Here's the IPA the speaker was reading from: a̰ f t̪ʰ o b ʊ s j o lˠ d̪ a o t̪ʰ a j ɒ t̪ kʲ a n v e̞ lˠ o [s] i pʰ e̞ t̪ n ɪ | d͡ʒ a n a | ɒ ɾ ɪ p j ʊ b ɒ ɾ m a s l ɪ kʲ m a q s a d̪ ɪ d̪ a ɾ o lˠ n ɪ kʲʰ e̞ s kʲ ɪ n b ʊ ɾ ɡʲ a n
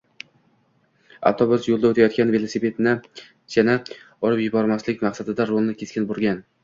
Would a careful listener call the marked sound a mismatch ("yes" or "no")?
no